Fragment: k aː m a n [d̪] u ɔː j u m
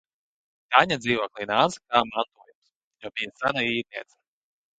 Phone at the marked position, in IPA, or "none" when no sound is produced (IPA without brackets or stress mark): t̪